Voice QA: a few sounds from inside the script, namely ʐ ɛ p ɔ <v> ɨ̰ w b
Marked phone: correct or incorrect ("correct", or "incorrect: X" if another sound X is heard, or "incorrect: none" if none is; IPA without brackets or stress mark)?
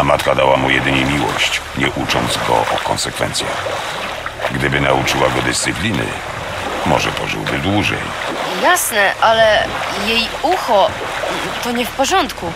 incorrect: ʐ